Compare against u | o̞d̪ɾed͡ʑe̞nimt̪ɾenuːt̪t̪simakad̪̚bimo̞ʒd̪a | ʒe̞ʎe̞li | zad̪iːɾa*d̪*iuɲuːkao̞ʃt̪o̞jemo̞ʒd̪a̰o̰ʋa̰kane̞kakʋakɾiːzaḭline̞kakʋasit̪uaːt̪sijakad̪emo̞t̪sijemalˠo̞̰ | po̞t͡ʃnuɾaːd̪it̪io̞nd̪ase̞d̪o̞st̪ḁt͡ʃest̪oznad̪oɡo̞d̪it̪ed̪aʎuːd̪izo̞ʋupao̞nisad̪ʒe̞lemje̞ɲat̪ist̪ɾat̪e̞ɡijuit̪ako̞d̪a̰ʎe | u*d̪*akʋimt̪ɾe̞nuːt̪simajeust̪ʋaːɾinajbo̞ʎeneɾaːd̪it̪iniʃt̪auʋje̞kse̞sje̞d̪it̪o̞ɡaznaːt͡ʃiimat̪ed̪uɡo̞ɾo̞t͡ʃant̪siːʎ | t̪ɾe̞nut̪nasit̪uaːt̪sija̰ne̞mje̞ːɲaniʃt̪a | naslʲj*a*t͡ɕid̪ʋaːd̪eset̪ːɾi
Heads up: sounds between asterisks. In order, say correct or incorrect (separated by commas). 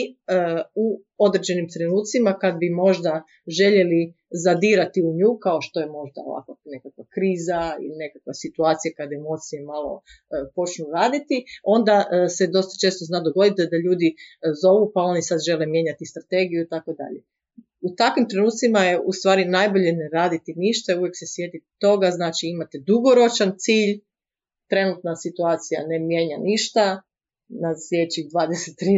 incorrect, incorrect, incorrect